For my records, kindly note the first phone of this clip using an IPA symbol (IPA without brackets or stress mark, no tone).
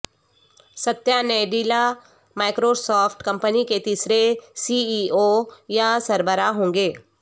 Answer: s